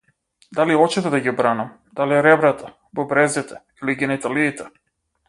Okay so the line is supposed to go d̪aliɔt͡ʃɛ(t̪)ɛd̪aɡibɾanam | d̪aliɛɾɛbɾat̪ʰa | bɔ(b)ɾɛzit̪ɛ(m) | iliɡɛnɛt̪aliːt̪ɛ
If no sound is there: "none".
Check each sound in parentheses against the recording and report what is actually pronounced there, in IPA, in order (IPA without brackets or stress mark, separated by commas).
t̪, b, none